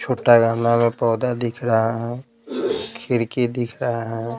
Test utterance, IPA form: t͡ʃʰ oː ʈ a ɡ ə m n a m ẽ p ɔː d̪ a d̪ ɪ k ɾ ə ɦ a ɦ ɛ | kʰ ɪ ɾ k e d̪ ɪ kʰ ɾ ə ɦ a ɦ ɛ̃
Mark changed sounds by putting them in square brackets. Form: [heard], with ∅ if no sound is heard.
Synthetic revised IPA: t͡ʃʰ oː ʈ a ɡ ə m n a m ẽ p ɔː d̪ a d̪ ɪ [kʰ] ɾ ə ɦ a ɦ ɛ | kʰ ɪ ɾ k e d̪ ɪ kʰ ɾ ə ɦ a ɦ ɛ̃